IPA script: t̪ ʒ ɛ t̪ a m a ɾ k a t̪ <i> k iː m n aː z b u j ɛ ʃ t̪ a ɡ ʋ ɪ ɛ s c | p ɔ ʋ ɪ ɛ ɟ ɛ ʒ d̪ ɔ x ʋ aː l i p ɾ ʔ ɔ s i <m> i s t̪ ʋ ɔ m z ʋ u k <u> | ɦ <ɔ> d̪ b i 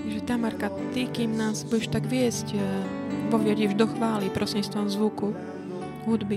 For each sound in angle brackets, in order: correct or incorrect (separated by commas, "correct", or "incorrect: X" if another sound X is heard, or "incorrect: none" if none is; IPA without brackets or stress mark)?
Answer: correct, incorrect: ɲ, correct, incorrect: u